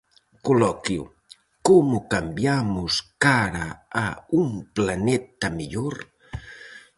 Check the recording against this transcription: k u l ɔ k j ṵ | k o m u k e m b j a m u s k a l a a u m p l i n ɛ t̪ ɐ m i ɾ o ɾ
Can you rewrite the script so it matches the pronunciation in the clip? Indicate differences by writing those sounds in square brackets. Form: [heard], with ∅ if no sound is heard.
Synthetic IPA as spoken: k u l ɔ k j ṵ | k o m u k [a] m b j a m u s k a [ɾ] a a u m p l [a] n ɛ t̪ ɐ m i [ʎ] o ɾ

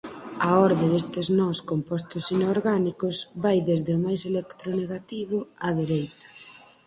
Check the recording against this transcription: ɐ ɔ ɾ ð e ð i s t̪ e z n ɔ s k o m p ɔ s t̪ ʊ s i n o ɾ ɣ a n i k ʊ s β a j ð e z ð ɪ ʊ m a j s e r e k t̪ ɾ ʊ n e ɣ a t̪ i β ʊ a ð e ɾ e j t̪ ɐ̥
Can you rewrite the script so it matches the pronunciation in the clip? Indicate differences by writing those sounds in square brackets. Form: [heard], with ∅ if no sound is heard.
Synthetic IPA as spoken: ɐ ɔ ɾ ð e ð [e] s t̪ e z n ɔ s k o m p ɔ s t̪ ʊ s i n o ɾ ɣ a n i k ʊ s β a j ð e z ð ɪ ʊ m a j s e [l] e k t̪ ɾ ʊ n e ɣ a t̪ i β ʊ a ð e ɾ e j t̪ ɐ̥

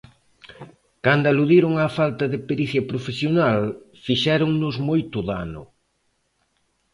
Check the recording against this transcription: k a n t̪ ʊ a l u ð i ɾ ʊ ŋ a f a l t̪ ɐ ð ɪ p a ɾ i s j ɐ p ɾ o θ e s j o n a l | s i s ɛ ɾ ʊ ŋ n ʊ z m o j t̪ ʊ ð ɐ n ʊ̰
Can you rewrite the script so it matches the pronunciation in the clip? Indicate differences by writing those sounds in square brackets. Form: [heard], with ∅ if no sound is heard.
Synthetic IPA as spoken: k a n [d̪] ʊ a l u ð i ɾ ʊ ŋ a f a l t̪ ɐ ð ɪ p [e] ɾ i [θ] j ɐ p ɾ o [f] e s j o n a l | [f] i [ʃ] ɛ ɾ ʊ ŋ n ʊ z m o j t̪ ʊ ð [a] n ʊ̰

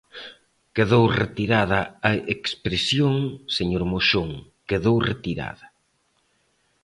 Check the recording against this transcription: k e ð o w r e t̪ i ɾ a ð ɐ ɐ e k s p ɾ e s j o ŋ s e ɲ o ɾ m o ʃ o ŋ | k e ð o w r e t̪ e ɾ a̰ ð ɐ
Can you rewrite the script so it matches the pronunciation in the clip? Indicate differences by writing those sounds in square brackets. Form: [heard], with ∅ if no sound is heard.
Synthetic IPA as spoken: k e ð o w r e t̪ i ɾ a ð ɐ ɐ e k s p ɾ e s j o ŋ s e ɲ o ɾ m o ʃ o ŋ | k e ð o w r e t̪ [i] ɾ a̰ ð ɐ

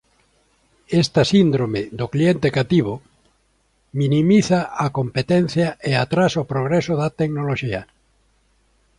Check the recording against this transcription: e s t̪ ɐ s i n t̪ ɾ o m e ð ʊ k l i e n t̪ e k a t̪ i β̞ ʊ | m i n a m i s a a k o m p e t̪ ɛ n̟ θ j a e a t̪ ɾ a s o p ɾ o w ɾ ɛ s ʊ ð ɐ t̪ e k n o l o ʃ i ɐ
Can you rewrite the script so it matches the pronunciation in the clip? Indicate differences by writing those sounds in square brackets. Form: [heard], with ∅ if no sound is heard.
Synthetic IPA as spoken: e s t̪ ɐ s i n [d̪] ɾ o m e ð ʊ k l i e n t̪ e k a t̪ i β̞ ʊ | m i n [i] m i [θ] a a k o m p e t̪ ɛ n̟ θ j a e a t̪ ɾ a s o p ɾ o [ɣ] ɾ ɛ s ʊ ð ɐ t̪ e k n o l o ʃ i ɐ

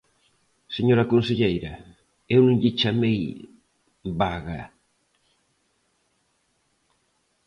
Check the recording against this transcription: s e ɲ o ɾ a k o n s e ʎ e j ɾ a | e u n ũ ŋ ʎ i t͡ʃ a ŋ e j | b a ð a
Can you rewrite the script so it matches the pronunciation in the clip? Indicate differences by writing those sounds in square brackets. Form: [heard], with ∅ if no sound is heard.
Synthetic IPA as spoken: s e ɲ o ɾ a k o n s e ʎ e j ɾ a | e [w] n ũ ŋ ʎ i t͡ʃ a [m] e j | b a [ɣ] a

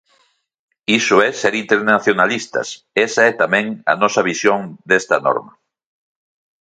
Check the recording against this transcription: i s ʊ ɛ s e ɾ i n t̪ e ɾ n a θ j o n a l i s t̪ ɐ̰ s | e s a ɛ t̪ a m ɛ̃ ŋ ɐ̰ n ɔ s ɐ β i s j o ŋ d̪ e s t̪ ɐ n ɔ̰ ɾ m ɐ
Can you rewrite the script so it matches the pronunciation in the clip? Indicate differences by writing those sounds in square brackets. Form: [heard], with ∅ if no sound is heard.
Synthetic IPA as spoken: i s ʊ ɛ s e ɾ i n t̪ e ɾ n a θ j o n a l i s t̪ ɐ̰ s | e s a ɛ t̪ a m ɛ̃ ŋ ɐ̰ n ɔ s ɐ β i s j o ŋ d̪ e s t̪ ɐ n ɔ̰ ɾ m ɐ

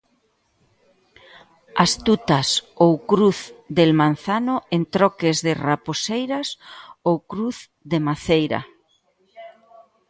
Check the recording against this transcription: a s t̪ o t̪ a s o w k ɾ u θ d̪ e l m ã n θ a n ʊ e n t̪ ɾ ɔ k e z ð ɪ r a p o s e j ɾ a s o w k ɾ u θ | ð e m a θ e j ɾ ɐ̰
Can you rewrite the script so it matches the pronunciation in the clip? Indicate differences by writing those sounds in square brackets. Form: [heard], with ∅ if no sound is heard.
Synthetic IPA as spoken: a s t̪ [u] t̪ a s o w k ɾ u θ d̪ e l m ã n θ a n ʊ e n t̪ ɾ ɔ k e z ð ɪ r a p o s e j ɾ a s o w k ɾ u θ | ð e m a θ e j ɾ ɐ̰

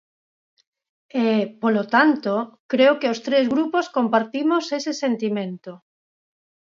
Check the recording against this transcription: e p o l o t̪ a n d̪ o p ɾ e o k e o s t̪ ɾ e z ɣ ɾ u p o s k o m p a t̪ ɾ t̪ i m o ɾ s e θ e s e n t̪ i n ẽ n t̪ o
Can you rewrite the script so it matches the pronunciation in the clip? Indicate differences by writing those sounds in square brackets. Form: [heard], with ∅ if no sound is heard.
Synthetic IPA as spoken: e p o l o t̪ a n [t̪] o [k] ɾ e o k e o s t̪ ɾ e z ɣ ɾ u p o s k o m p a [∅] ɾ t̪ i m o [∅] s e [s] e s e n t̪ i [m] ẽ n t̪ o

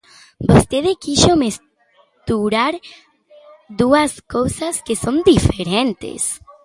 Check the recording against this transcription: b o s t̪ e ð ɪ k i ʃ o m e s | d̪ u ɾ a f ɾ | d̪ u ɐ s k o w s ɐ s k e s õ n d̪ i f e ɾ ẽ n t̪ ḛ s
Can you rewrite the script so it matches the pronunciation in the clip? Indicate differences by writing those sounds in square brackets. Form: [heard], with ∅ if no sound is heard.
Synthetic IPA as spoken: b o s t̪ e ð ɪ k i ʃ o m e s | [t̪] u ɾ a [∅] ɾ | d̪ u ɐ s k o w s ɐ s k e s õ n d̪ i f e ɾ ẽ n t̪ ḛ s

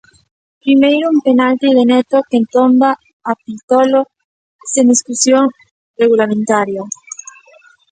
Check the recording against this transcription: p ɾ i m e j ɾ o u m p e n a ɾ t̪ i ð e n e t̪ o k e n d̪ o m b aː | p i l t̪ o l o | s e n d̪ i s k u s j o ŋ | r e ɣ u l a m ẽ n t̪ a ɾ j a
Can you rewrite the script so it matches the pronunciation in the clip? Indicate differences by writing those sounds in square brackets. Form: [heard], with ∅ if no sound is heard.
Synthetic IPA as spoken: p ɾ i m e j ɾ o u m p e n a [l] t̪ i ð e n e t̪ o k e n [t̪] o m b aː | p i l t̪ o l o | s e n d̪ i s k u s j o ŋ | r e ɣ u l a m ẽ n t̪ a ɾ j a

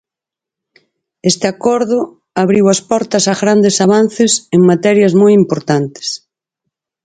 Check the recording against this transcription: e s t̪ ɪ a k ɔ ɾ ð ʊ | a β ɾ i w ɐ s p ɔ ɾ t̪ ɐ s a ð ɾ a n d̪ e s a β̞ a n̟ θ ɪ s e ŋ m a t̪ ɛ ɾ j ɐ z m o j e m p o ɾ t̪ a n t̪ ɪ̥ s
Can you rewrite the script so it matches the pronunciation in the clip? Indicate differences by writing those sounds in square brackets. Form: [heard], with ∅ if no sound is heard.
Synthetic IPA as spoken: e s t̪ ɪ a k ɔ ɾ ð ʊ | a β ɾ i w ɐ s p ɔ ɾ t̪ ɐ s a [ɣ] ɾ a n d̪ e s a β̞ a n̟ θ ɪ s e ŋ m a t̪ ɛ ɾ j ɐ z m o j [i] m p o ɾ t̪ a n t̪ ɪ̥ s

